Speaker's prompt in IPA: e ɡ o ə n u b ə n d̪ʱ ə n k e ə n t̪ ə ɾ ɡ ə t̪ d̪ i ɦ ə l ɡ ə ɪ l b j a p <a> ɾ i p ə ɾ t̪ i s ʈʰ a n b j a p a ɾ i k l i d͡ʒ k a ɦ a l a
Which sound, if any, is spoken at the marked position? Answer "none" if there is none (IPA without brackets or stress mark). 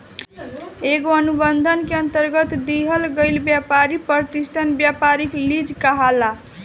a